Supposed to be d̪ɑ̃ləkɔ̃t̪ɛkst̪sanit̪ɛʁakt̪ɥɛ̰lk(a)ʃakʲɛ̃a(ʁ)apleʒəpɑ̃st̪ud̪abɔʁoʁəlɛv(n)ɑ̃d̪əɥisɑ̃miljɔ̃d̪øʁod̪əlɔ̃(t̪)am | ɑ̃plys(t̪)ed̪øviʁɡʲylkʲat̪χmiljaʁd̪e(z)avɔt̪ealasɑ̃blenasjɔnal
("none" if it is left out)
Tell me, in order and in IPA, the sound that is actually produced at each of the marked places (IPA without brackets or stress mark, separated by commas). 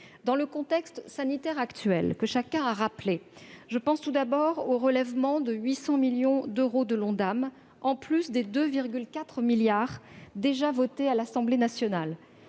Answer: ə, ʁ, m, d̪, d̪, ʒ